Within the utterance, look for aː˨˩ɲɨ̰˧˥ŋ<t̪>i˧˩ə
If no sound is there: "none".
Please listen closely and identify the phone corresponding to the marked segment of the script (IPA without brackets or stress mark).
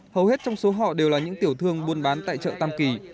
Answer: t̪